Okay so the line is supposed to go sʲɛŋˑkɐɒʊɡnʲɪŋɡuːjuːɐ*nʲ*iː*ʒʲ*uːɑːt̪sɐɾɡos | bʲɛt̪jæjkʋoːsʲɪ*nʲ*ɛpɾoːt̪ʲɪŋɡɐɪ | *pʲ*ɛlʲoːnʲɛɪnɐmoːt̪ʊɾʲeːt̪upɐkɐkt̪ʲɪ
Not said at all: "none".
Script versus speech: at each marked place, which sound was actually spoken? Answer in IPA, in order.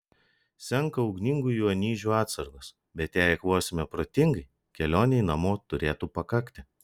nʲ, ʒʲ, mʲ, kʲ

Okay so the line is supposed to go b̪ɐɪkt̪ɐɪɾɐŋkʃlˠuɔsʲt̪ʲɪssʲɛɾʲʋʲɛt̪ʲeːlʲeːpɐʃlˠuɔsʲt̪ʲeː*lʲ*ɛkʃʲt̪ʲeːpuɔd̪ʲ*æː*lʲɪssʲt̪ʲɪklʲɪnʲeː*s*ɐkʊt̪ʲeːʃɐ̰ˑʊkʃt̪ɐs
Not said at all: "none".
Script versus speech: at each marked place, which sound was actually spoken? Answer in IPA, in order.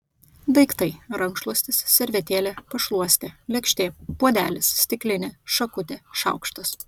lʲ, æː, ʃ

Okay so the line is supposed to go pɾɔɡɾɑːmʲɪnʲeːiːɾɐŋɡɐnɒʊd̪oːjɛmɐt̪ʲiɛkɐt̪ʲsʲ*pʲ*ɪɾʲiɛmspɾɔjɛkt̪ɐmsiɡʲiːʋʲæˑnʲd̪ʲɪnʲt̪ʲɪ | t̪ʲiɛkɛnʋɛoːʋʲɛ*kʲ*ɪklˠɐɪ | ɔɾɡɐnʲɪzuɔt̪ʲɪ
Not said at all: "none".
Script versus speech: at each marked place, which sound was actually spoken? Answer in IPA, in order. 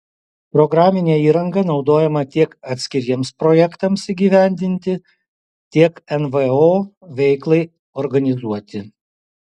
kʲ, none

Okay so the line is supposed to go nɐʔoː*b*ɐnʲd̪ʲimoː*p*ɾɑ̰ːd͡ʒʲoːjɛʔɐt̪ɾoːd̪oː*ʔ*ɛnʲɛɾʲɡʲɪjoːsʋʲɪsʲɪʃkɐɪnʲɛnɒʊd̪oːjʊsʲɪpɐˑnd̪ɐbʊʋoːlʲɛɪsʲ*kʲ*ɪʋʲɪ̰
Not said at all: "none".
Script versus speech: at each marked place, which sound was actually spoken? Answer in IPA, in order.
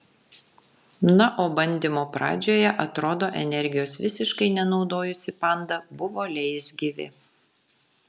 b, p, ʔ, ɡʲ

